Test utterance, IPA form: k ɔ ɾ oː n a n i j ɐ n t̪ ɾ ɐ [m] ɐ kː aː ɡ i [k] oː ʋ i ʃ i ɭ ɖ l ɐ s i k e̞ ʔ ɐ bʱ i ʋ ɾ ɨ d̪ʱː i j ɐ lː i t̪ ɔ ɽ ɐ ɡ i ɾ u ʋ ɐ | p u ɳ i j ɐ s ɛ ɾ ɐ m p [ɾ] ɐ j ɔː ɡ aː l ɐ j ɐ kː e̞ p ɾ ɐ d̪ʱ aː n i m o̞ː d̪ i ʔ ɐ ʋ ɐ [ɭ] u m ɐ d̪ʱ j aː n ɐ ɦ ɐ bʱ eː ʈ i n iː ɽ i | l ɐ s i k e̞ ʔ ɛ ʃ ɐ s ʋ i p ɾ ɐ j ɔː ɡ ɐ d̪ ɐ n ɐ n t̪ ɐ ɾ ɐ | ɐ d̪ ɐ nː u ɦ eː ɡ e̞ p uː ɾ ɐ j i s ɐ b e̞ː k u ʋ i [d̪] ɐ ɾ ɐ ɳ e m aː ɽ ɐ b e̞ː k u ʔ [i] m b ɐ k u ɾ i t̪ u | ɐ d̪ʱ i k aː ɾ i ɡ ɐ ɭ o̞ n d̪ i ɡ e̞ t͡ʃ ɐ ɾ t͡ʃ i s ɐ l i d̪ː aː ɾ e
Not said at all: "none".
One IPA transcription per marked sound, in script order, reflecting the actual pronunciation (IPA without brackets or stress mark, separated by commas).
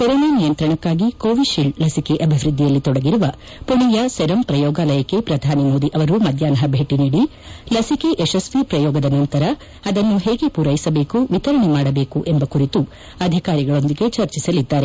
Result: ɳ, k, ɾ, ɾ, t̪, e